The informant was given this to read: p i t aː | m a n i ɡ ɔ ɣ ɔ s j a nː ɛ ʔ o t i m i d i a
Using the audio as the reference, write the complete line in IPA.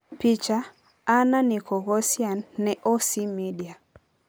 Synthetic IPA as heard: p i t͡ʃ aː | n a n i k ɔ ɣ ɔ s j a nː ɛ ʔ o s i m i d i a